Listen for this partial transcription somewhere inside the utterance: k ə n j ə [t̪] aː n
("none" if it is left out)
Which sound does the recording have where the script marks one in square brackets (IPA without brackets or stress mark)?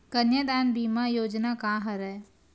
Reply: d̪